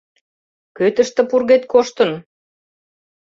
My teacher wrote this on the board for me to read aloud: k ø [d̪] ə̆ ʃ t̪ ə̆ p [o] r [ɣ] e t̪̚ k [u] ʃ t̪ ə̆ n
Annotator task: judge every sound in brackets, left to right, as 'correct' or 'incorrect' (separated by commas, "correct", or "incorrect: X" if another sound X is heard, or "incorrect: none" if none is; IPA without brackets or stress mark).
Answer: incorrect: t̪, incorrect: u, correct, incorrect: o